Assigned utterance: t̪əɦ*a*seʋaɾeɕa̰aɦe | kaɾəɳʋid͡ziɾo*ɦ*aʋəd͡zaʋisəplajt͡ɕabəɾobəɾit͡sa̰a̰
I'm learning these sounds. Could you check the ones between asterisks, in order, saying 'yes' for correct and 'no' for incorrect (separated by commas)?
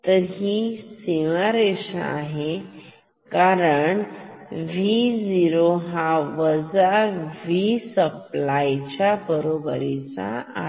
no, yes